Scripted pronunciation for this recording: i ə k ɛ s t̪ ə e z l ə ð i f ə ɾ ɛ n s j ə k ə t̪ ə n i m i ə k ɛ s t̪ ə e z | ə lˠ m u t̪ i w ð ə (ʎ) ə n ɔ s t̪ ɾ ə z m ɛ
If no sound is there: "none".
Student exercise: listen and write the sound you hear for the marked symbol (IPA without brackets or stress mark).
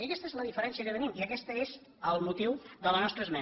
l